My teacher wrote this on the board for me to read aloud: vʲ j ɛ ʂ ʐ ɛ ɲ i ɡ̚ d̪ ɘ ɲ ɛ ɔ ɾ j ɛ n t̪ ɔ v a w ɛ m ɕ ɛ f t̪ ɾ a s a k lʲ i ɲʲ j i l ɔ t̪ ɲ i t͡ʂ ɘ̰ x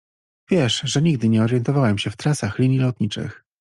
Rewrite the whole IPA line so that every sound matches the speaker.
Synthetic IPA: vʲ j ɛ ʂ ʐ ɛ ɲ i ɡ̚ d̪ ɘ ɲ ɛ ɔ ɾ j ɛ n t̪ ɔ v a w ɛ m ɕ ɛ f t̪ ɾ a s a x lʲ i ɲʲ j i l ɔ t̪ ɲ i t͡ʂ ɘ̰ x